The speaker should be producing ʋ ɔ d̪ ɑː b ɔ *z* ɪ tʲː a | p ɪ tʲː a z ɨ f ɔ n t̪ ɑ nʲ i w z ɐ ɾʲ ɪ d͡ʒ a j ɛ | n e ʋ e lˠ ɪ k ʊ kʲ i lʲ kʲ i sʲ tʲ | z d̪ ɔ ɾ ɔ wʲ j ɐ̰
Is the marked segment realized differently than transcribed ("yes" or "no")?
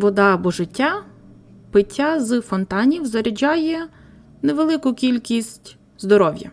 yes